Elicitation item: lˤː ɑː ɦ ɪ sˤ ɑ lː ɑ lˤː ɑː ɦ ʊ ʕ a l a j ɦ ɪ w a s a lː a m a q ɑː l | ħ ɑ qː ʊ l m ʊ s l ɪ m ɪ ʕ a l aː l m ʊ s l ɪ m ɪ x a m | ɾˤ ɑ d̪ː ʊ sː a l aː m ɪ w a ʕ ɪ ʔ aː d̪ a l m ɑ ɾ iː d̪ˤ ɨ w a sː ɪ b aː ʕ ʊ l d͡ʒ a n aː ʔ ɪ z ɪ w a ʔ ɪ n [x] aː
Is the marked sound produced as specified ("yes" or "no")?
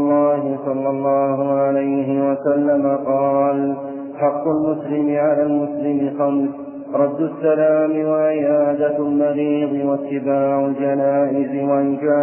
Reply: no